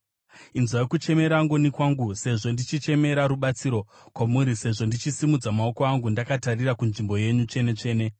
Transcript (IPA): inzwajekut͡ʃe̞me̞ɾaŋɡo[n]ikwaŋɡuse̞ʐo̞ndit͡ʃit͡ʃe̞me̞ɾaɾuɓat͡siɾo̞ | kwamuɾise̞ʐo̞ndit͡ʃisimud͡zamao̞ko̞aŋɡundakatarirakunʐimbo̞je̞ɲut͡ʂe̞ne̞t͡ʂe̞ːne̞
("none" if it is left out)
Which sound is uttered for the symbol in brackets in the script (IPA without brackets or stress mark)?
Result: n